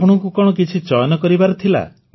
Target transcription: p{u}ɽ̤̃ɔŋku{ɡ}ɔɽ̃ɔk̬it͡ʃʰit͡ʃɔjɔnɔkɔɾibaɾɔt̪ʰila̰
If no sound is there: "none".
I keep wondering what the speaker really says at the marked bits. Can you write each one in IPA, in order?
ɔ, k

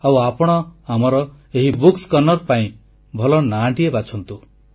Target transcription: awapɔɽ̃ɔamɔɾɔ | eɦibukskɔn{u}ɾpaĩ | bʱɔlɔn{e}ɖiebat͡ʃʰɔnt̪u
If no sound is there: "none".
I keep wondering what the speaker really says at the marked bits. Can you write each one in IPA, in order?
ɔ, a

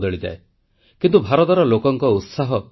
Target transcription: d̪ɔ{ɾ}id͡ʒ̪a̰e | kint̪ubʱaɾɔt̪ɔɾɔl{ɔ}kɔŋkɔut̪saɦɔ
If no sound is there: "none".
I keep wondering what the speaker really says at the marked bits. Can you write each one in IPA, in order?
ɭ, o

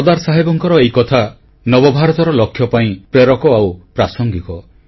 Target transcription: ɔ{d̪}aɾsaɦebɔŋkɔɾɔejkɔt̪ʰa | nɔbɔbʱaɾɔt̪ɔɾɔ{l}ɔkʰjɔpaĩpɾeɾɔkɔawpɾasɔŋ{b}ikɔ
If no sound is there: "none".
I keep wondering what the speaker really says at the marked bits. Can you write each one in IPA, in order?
d̪, l, ɡ

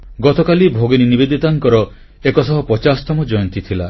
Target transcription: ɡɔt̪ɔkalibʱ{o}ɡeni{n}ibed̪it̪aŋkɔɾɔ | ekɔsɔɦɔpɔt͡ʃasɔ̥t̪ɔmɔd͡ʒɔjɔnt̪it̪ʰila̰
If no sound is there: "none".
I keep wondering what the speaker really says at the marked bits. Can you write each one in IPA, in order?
o, n

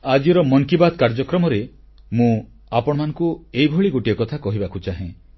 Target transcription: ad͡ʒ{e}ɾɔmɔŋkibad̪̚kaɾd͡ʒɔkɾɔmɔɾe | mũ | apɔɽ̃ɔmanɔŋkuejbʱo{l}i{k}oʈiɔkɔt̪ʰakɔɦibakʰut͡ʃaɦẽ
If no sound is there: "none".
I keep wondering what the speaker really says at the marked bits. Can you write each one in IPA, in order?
i, ɭ, ɡ

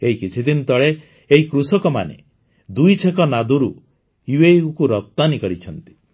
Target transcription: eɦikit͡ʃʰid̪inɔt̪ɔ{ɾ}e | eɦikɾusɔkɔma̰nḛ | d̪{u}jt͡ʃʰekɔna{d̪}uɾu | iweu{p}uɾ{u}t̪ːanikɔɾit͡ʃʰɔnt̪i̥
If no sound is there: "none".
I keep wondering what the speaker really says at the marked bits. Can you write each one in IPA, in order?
ɭ, u, d̪, k, ɔ

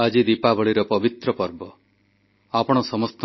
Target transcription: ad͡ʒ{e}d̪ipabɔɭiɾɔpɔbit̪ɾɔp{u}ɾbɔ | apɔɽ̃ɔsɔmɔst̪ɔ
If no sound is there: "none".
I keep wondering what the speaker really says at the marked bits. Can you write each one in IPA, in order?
i, ɔ

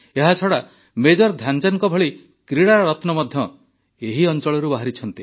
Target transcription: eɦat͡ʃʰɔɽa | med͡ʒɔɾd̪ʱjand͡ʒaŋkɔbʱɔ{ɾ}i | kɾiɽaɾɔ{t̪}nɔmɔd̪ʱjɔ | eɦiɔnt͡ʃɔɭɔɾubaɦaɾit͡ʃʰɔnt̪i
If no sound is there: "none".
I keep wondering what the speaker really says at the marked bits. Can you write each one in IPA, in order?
ɭ, t̪

